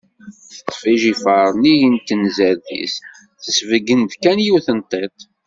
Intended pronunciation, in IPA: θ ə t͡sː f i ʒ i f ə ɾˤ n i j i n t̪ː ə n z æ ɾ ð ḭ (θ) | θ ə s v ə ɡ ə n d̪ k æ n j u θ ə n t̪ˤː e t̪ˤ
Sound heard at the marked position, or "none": s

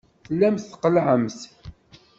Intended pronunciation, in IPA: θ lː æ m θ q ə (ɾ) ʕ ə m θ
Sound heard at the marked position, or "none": l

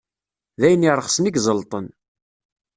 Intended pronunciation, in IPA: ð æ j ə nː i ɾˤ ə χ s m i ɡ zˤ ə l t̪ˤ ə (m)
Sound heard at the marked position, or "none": n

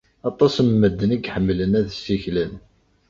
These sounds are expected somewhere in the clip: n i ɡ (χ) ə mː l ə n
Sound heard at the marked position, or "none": ħ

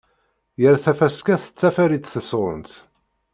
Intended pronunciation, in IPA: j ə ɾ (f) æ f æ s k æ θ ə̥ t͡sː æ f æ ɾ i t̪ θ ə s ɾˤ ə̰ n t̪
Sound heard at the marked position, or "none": θ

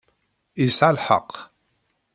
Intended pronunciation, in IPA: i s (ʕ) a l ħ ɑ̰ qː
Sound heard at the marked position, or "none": ʕ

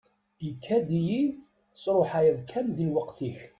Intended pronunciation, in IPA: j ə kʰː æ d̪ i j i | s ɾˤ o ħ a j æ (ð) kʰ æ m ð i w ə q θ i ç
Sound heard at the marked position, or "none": ð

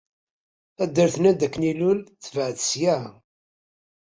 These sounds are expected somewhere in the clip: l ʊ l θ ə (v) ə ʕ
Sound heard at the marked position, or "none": v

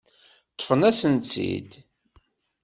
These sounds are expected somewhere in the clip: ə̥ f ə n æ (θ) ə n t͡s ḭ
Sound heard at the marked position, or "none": s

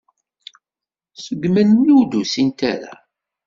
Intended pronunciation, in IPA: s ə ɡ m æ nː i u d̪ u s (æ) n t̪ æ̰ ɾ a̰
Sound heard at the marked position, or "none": i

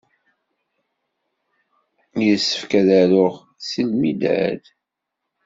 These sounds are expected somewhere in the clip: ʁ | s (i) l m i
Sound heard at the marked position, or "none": i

